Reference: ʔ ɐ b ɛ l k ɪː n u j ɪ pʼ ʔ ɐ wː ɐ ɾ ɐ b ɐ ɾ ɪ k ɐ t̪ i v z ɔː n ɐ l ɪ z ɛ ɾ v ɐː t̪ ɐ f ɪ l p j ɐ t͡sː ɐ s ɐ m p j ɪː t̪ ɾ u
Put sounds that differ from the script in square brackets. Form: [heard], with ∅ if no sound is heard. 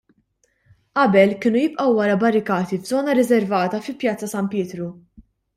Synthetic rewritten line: ʔ ɐ b ɛ l k ɪː n u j ɪ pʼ ʔ ɐ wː ɐ ɾ ɐ b ɐ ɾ ɪ k [ɐː] t̪ i v z ɔː n ɐ [ɾ] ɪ z ɛ ɾ v ɐː t̪ ɐ f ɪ l p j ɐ t͡sː ɐ s ɐ m p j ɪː t̪ ɾ u